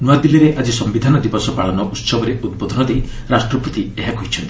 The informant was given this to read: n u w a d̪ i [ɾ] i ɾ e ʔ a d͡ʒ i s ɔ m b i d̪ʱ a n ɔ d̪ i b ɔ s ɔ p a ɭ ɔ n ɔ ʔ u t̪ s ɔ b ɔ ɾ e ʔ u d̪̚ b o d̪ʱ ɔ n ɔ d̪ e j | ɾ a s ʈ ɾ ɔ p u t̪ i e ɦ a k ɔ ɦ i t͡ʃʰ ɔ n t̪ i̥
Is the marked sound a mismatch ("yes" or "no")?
yes